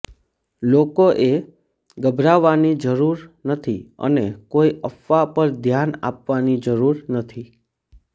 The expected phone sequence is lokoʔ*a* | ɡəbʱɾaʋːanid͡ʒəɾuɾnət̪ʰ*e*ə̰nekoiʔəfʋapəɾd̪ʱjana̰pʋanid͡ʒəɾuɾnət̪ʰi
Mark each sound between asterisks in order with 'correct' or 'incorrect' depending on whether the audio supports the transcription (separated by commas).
incorrect, incorrect